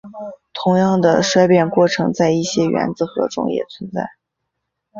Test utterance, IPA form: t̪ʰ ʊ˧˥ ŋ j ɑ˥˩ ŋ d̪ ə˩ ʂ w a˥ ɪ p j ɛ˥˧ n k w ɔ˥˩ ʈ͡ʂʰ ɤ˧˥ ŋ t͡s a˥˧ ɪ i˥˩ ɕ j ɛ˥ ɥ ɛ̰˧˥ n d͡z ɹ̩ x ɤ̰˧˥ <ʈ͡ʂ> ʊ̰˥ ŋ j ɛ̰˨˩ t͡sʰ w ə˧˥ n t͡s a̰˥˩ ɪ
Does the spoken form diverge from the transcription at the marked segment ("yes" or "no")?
no